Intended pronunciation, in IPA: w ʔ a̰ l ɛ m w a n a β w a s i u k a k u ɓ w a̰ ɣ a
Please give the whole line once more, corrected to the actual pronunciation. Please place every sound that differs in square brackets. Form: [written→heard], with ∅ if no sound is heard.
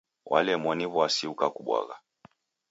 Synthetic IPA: w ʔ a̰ l ɛ m w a n [a→i] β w a s i u k a k u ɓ w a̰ ɣ a